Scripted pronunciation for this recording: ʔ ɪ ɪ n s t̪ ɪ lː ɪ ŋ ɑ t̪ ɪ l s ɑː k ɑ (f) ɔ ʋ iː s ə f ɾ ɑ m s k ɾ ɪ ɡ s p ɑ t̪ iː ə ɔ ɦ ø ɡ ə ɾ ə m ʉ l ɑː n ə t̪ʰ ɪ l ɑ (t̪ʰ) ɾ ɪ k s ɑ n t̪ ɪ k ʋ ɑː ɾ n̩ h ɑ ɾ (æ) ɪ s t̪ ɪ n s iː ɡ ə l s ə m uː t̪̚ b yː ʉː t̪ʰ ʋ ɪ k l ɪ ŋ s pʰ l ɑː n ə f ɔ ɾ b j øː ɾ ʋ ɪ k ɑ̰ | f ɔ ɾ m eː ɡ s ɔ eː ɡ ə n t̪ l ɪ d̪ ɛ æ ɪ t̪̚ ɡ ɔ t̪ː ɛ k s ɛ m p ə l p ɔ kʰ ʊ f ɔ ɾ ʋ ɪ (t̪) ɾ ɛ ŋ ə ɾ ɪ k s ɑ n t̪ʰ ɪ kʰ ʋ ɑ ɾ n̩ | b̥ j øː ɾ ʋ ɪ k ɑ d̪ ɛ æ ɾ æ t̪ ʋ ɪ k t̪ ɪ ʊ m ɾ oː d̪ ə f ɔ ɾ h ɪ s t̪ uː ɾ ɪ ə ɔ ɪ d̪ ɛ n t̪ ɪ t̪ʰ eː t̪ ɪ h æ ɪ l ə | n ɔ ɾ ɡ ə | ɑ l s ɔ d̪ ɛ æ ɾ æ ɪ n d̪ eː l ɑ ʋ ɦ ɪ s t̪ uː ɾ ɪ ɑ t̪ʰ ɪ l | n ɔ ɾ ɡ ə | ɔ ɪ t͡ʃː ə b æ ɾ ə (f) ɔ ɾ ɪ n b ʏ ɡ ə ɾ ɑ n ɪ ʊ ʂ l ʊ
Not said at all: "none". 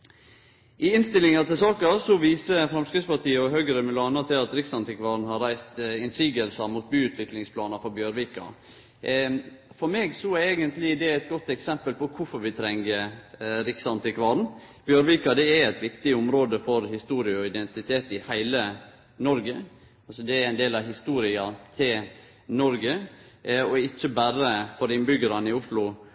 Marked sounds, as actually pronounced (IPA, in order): s, t̪, æ, t̪ʰ, f

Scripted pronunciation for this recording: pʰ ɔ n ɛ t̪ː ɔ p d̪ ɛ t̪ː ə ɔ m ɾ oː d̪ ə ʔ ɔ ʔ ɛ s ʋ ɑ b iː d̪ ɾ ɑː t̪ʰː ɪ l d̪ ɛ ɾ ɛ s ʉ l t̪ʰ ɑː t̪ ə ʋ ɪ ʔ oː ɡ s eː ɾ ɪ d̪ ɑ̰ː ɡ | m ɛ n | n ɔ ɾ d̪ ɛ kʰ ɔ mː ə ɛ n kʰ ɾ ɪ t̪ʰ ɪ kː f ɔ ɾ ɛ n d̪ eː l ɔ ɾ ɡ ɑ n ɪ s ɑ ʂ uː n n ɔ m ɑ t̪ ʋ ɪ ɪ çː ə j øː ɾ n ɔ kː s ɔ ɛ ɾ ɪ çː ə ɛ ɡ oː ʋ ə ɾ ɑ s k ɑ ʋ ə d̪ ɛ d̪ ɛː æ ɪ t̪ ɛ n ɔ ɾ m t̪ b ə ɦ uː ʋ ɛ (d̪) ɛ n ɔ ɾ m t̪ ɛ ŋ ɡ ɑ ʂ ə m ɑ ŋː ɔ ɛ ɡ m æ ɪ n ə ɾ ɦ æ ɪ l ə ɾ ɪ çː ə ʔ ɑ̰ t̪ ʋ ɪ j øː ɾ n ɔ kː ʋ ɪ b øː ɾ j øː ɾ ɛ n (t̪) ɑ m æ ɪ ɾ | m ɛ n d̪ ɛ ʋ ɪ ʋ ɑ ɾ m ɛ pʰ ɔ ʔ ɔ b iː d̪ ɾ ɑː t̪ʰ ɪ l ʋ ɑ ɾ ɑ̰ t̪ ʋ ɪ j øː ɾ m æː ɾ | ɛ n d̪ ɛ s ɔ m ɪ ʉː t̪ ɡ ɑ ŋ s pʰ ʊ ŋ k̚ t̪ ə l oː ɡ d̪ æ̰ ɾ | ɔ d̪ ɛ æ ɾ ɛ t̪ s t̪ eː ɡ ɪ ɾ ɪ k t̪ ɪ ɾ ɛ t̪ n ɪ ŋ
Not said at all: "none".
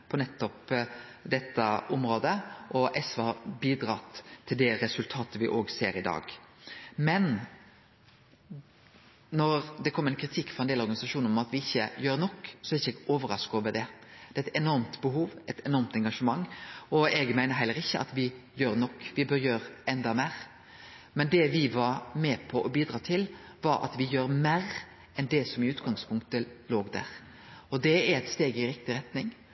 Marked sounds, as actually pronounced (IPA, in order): t̪, d̪

